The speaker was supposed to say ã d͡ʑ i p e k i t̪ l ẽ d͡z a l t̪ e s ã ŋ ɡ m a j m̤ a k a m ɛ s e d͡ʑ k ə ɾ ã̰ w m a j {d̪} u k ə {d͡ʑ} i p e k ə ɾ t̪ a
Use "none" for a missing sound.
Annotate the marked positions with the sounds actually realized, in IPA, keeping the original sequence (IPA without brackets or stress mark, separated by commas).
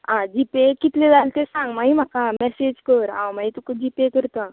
t̪, d͡ʑ